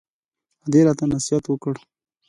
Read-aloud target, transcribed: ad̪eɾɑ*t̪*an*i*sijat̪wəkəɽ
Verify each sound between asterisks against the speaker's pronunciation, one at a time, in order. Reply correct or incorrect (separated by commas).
correct, incorrect